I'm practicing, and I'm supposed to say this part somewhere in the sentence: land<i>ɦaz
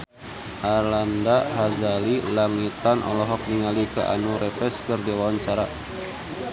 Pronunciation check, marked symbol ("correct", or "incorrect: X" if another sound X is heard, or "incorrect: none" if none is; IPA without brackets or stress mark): incorrect: a